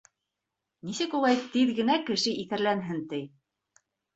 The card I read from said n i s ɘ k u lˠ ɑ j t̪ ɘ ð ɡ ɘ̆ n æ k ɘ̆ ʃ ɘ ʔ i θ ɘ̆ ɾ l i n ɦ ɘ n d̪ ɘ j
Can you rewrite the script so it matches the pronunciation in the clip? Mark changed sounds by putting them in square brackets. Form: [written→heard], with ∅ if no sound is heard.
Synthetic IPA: n i s ɘ k u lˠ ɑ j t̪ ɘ ð ɡ ɘ̆ n æ k ɘ̆ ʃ ɘ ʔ i θ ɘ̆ ɾ l [i→æ] n ɦ ɘ n [d̪→t̪] ɘ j